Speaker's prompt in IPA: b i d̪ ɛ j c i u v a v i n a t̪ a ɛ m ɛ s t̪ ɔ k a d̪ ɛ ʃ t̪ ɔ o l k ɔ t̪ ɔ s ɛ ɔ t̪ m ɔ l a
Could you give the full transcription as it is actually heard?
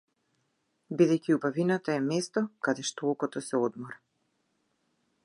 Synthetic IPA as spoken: b i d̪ ɛ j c i u b a v i n a t̪ a ɛ m ɛ s t̪ ɔ k a d̪ ɛ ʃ t̪ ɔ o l k ɔ t̪ ɔ s ɛ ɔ d̪ m ɔ ɾ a